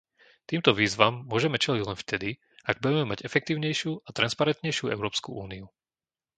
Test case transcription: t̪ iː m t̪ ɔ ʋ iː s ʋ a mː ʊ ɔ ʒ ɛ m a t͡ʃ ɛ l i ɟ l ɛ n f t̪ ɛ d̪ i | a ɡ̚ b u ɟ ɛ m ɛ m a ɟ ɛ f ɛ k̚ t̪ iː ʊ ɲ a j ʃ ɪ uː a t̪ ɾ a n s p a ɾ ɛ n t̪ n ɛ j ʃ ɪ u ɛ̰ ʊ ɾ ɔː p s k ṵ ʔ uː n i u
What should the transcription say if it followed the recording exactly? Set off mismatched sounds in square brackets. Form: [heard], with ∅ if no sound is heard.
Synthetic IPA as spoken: t̪ iː m t̪ ɔ ʋ iː [z] ʋ a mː ʊ ɔ ʒ ɛ m [ɛ] t͡ʃ ɛ l i ɟ l ɛ n f t̪ ɛ d̪ i | a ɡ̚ b u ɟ ɛ m ɛ m a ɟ ɛ f ɛ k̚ t̪ iː ʊ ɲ [ɛ] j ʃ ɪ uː a t̪ ɾ a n s p a ɾ ɛ n t̪ [ɲ] ɛ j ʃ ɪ u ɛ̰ ʊ ɾ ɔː p s k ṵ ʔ uː n i u